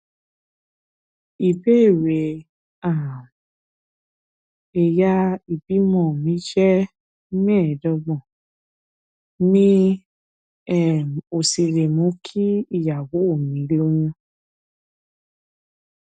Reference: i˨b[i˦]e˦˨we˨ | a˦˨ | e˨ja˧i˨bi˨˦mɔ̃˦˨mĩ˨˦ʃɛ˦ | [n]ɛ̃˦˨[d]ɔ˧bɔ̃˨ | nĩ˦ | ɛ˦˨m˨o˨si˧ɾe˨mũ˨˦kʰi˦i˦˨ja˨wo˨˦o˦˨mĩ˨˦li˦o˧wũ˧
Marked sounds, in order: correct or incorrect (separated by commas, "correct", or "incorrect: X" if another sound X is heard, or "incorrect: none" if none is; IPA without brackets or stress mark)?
incorrect: e˦, incorrect: m, correct